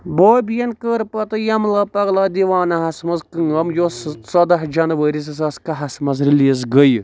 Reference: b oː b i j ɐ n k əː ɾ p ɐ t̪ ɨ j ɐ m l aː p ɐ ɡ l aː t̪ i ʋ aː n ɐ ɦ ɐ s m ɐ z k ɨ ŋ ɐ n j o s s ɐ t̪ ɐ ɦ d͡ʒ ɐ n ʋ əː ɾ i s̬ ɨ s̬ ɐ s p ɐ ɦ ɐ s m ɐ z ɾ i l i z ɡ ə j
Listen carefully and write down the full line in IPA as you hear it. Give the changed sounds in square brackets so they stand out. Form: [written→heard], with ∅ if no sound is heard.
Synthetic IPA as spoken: b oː b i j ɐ n k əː ɾ p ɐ t̪ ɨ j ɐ m l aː p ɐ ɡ l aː [t̪→d̪] i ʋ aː n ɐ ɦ ɐ s m ɐ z k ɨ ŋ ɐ [n→m] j o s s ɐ [t̪→d̪] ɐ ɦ d͡ʒ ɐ n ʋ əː ɾ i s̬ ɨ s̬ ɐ s [p→k] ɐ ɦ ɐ s m ɐ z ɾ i l i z ɡ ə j